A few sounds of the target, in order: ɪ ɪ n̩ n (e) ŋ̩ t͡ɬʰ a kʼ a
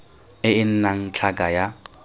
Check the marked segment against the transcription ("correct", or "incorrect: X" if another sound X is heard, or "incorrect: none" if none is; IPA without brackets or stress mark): incorrect: a